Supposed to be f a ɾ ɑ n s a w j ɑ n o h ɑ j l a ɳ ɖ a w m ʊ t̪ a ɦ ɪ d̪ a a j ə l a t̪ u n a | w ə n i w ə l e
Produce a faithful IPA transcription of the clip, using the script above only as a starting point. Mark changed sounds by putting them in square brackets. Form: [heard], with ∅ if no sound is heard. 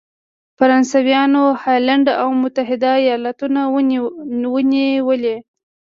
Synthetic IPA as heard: f a ɾ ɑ n s a w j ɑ n o h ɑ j l a ɳ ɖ a w m ʊ t̪ a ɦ ɪ d̪ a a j [ɑ] l a t̪ u n a | w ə n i w ə l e

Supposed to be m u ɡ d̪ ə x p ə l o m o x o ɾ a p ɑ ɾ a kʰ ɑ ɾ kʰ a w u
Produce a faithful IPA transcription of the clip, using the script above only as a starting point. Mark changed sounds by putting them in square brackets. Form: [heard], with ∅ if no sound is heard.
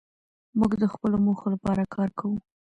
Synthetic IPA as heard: m u ɡ d̪ ə x p ə l o m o x o [l] a p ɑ ɾ a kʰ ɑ ɾ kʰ a w u

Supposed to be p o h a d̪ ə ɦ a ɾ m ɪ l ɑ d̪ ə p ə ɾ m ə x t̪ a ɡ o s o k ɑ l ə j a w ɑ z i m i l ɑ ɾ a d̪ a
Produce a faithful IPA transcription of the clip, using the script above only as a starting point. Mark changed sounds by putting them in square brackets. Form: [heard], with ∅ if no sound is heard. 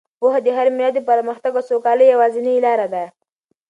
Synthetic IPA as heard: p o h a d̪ ə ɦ a ɾ m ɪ l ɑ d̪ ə p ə ɾ m ə x t̪ a ɡ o s o k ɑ l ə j a w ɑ z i [n] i l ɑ ɾ a d̪ a

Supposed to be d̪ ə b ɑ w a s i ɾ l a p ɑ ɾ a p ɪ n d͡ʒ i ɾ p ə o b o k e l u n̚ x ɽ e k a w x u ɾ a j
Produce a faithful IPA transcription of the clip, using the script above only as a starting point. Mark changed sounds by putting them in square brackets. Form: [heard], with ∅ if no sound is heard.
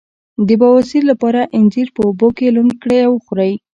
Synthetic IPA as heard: d̪ ə b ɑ w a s i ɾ l a p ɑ ɾ a [ʔ] ɪ n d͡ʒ i ɾ p ə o b o k e l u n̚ [k] ɽ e [∅] a w x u ɾ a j

